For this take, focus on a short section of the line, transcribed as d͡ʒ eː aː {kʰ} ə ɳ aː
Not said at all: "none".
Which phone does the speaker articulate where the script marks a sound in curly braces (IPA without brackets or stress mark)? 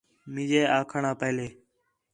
kʰ